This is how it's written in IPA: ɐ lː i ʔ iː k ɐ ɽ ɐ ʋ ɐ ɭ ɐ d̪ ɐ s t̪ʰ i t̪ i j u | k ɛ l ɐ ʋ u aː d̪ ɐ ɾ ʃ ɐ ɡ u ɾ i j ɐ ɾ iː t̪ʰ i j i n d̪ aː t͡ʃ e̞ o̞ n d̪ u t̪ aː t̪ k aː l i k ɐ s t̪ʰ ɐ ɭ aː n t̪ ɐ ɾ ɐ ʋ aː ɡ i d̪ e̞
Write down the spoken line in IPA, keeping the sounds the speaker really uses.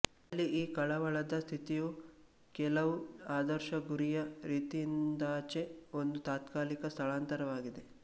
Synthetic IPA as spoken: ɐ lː i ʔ iː k ɐ ɭ ɐ ʋ ɐ ɭ ɐ d̪ ɐ s t̪ʰ i t̪ i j u | k ɛ l ɐ ʋ u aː d̪ ɐ ɾ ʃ ɐ ɡ u ɾ i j ɐ ɾ iː t̪ i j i n d̪ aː t͡ʃ e̞ o̞ n d̪ u t̪ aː t̪ k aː l i k ɐ s t̪ʰ ɐ ɭ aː n t̪ ɐ ɾ ɐ ʋ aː ɡ i d̪ e̞